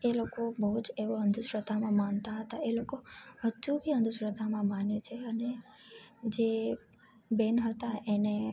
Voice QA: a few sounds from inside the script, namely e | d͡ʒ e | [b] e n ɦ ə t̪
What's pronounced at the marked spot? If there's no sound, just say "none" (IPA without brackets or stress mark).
b